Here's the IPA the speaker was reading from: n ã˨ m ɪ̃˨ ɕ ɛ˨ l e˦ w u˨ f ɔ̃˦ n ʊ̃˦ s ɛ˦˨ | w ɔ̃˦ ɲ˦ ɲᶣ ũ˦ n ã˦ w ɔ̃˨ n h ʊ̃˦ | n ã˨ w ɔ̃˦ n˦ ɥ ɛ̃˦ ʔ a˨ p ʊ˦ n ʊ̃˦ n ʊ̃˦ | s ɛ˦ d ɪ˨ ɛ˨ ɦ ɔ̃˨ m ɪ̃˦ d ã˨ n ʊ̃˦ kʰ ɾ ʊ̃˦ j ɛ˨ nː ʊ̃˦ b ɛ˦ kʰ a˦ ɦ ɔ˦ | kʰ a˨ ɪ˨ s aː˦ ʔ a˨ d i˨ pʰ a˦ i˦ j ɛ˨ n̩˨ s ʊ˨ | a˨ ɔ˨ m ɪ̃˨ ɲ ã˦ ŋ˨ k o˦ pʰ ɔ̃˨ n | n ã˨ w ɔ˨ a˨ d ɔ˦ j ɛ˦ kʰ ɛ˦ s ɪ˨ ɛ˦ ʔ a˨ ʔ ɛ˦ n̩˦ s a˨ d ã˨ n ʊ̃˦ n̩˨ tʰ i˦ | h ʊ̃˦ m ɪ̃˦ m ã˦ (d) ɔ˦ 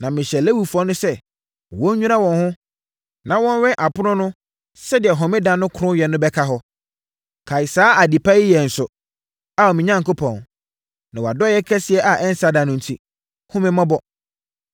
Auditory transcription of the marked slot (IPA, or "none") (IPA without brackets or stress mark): b